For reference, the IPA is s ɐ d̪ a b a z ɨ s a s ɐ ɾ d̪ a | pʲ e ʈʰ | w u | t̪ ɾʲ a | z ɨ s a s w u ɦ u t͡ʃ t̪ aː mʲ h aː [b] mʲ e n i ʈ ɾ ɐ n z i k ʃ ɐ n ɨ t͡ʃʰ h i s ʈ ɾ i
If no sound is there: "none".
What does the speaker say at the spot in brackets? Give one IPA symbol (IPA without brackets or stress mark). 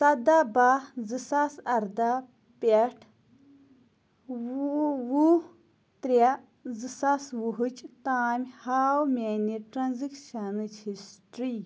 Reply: w